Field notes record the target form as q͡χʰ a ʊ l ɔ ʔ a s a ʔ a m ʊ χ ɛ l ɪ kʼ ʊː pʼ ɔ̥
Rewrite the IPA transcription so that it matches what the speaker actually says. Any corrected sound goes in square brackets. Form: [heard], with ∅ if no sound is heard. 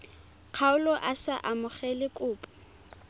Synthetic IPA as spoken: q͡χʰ a ʊ l ɔ ʔ a s a ʔ a m ʊ χ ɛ l ɪ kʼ ʊː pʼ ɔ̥